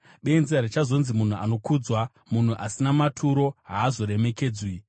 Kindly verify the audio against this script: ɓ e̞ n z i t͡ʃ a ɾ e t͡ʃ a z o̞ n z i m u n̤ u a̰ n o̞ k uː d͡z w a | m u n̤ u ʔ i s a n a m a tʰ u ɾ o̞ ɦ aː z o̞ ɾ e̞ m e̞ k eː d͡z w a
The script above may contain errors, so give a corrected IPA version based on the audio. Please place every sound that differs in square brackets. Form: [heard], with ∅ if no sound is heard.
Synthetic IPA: ɓ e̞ n z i [∅] a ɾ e t͡ʃ a z o̞ n z i m u n̤ u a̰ n o̞ k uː d͡z w a | m u n̤ u ʔ [a] s [i] n a m a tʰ u ɾ o̞ ɦ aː z o̞ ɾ e̞ m e̞ k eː d͡z w [i]